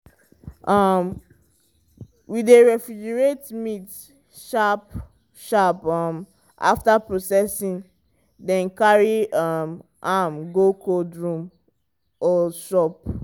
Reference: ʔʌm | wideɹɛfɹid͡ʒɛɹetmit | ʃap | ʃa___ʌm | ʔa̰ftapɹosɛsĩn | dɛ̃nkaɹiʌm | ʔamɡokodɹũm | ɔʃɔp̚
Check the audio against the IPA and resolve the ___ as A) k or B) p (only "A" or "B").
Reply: B